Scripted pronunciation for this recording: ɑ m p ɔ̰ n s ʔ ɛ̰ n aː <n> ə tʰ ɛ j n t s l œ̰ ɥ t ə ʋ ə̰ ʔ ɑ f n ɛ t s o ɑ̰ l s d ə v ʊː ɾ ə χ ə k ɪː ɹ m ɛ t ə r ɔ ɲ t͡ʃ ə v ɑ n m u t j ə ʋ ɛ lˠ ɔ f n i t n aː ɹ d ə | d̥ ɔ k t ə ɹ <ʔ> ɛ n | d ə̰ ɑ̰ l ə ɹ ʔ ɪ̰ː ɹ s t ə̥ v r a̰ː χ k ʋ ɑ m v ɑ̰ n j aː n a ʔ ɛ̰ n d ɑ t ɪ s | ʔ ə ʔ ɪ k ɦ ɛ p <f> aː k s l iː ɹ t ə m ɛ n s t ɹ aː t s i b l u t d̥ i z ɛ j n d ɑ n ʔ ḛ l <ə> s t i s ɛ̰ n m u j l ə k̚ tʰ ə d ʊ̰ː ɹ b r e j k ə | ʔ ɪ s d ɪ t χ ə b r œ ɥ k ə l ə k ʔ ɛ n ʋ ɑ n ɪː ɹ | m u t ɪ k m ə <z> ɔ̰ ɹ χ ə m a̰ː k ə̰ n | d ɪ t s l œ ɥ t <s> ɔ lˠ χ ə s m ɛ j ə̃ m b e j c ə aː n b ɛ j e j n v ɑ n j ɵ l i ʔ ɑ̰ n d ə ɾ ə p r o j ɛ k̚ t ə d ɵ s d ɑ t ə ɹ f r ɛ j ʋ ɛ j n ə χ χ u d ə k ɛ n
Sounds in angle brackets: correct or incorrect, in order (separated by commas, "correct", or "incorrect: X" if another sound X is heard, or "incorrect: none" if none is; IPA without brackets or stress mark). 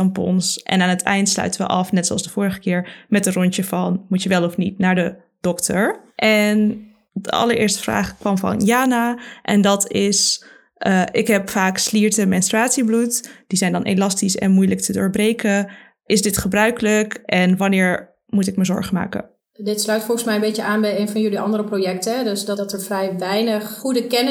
correct, correct, correct, incorrect: ɑ, correct, incorrect: f